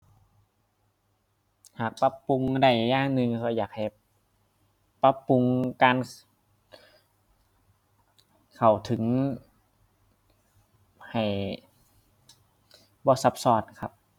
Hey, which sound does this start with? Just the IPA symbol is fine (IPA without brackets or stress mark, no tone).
h